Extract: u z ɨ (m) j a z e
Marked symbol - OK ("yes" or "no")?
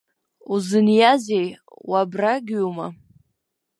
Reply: no